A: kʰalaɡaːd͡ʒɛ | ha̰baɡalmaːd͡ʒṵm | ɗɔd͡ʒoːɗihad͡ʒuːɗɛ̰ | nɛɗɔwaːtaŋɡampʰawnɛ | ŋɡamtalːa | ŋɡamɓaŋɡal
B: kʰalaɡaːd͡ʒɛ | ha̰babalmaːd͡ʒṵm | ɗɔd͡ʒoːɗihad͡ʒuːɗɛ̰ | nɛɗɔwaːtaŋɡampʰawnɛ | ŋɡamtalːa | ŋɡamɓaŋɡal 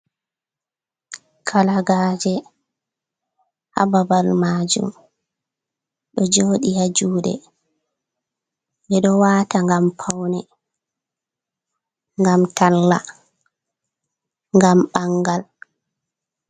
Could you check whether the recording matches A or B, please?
B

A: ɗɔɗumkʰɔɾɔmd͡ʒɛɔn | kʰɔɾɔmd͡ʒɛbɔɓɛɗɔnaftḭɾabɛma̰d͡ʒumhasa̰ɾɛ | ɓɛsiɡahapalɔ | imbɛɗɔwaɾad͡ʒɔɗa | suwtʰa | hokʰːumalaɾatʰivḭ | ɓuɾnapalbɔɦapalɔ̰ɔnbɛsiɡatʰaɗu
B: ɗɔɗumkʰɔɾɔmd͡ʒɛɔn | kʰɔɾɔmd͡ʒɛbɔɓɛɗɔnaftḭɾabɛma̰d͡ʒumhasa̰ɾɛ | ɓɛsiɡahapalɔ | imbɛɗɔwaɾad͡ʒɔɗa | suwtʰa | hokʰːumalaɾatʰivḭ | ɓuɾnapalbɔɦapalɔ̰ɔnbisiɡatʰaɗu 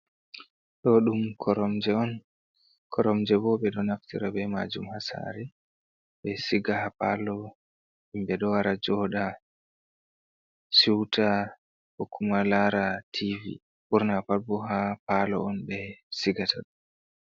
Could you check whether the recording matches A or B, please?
A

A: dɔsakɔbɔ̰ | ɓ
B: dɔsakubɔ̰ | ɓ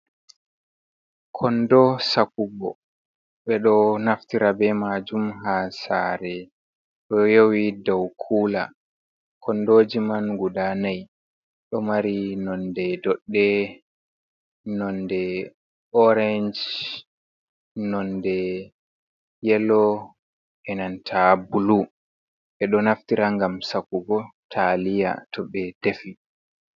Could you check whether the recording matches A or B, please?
B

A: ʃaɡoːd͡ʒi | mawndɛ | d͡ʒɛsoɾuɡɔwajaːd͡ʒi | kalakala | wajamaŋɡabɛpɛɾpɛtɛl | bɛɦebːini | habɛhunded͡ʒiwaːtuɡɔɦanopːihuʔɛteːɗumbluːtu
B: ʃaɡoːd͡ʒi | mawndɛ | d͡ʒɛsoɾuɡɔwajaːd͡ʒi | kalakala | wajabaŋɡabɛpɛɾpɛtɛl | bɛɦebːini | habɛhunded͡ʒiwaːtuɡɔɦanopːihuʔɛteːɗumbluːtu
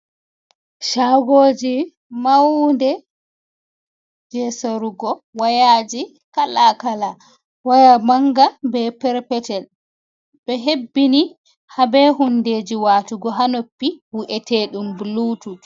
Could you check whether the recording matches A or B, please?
A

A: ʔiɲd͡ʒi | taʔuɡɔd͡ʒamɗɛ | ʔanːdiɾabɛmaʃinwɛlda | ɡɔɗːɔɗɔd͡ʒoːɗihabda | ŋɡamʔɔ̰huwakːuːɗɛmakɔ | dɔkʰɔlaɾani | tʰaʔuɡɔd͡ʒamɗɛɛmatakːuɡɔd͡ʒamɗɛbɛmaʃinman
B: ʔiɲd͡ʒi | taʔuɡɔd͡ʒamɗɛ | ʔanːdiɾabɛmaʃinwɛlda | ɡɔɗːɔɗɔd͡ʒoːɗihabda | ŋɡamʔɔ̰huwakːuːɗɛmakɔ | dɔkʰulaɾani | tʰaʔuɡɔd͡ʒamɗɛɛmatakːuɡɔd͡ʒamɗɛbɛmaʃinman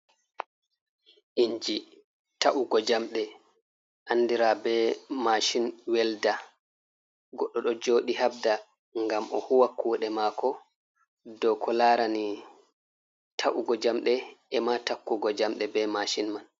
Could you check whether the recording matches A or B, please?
A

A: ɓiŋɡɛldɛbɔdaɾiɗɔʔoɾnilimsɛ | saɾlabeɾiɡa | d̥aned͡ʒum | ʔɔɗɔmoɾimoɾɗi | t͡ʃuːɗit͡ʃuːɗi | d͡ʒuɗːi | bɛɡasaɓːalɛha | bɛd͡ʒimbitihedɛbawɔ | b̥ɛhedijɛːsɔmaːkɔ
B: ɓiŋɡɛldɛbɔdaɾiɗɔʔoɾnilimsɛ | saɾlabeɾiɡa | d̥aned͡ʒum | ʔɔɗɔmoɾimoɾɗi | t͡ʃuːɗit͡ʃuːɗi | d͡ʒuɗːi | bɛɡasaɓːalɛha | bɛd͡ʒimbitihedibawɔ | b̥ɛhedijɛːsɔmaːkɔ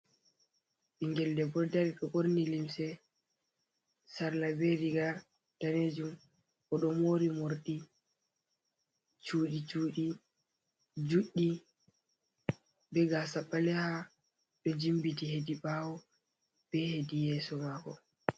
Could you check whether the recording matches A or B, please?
B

